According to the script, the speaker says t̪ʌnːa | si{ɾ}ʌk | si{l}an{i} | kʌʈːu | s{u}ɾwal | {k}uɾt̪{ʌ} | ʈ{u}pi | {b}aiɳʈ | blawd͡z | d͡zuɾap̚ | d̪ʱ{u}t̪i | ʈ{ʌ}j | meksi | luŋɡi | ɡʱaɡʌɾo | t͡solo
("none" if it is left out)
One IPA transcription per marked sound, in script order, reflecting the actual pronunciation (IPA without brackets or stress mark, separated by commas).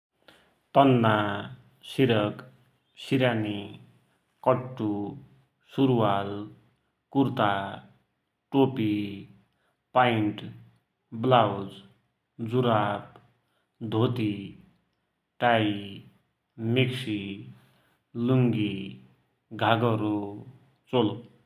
ɾ, ɾ, i, u, k, a, o, p, o, a